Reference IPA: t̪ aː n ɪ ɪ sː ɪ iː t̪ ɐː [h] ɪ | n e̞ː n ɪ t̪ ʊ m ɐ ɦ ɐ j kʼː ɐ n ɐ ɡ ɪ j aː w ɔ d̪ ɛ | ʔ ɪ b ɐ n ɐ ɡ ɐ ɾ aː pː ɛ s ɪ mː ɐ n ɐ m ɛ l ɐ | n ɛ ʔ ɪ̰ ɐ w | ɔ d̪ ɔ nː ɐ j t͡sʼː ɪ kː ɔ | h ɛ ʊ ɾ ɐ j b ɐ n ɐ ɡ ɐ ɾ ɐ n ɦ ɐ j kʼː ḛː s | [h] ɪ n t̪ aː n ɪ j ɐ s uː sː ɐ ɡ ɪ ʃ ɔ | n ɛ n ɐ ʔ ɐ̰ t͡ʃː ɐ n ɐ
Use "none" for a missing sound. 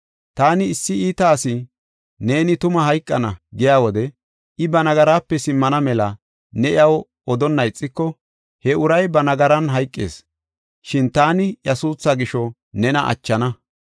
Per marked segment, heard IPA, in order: s, ʃ

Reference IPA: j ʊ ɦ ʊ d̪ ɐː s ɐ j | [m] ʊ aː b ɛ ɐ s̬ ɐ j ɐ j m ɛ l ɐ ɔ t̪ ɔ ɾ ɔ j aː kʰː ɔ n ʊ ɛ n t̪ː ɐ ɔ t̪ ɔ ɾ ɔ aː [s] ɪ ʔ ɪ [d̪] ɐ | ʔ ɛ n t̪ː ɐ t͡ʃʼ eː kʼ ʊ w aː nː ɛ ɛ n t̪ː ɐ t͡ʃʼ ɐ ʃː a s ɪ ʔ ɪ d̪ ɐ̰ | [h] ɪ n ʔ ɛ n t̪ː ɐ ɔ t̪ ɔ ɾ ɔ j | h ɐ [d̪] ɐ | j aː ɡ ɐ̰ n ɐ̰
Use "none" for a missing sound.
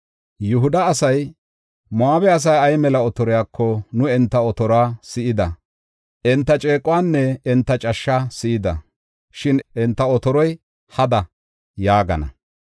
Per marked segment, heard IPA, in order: m, s, d̪, ʃ, d̪

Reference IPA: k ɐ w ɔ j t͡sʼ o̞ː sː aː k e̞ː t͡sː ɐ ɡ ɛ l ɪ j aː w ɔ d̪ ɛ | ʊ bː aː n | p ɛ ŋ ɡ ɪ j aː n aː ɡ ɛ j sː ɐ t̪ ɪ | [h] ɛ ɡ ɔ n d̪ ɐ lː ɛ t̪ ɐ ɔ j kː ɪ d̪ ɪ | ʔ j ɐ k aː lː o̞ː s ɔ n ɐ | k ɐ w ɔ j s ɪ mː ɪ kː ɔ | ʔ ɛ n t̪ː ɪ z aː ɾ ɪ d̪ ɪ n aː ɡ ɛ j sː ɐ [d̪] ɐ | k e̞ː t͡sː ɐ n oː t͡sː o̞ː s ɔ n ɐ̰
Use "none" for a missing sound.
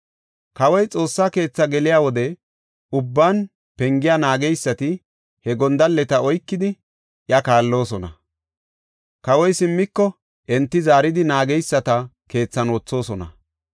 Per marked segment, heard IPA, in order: h, t̪

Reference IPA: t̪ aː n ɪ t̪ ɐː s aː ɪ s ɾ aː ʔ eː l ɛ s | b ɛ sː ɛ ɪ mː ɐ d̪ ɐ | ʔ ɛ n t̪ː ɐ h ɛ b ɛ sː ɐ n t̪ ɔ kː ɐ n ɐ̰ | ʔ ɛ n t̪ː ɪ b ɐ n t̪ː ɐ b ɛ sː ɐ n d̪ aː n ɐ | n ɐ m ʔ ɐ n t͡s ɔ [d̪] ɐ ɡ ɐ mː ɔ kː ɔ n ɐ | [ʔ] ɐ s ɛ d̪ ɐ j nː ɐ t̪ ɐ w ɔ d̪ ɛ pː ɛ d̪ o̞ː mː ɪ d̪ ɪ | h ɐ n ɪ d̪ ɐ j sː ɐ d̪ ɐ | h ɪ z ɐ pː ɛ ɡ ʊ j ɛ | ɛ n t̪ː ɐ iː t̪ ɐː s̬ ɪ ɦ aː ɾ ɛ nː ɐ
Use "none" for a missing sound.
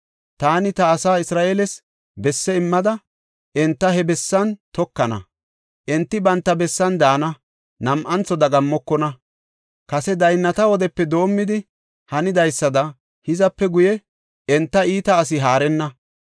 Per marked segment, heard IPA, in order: d̪, k

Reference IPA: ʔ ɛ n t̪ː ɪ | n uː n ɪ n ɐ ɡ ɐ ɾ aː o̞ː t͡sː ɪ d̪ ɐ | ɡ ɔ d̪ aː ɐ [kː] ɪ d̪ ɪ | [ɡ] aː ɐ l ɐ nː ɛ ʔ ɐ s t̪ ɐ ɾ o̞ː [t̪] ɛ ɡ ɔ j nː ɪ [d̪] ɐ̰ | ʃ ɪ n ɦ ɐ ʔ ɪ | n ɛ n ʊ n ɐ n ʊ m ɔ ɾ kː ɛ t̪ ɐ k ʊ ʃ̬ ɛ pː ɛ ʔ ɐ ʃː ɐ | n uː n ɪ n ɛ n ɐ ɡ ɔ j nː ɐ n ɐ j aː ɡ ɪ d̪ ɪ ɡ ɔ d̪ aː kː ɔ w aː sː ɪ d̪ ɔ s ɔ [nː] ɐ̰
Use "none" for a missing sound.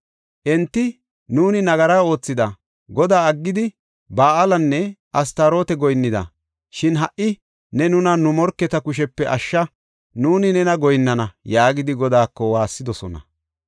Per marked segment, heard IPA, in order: ɡː, b, t̪, d̪, n

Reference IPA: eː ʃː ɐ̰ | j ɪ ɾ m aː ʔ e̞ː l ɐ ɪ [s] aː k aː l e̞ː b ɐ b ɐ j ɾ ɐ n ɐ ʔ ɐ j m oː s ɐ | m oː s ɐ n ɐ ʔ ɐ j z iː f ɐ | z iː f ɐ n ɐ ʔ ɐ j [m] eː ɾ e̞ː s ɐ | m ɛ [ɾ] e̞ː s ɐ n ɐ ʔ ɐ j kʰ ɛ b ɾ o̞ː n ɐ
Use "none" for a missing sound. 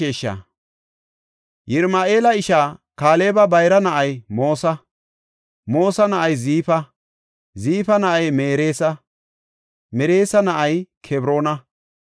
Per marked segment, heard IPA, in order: ʃ, m, ɾ

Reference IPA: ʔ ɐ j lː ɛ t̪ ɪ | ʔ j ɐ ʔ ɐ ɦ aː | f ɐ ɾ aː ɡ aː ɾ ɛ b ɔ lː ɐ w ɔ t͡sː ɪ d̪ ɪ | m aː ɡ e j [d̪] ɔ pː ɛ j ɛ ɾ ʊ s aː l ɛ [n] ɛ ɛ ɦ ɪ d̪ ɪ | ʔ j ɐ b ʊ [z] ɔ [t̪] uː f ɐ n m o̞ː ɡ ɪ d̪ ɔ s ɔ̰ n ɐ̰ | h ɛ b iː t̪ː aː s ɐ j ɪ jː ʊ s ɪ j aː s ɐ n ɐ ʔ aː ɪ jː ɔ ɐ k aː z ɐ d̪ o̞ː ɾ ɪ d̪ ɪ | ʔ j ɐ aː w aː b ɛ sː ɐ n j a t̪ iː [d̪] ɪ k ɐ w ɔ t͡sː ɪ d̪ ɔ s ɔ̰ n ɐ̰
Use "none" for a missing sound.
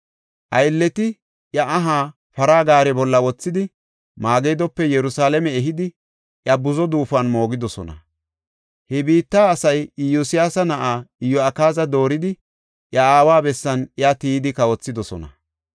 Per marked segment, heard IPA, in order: d̪, m, z, d̪, d̪

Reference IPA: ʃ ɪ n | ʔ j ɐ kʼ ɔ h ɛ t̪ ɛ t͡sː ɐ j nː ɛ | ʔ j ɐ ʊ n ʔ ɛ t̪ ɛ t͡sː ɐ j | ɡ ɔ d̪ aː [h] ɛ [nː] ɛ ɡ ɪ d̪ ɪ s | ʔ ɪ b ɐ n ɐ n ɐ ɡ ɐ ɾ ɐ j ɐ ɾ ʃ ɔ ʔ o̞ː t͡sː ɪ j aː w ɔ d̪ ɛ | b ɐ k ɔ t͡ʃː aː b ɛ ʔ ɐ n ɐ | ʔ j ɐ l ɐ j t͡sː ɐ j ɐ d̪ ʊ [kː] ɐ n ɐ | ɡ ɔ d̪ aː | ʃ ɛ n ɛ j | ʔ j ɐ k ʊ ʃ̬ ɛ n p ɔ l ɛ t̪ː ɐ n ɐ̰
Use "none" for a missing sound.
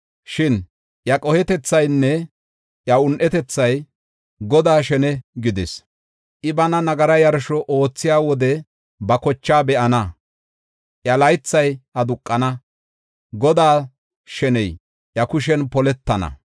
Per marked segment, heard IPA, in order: ʃ, n, kʼː

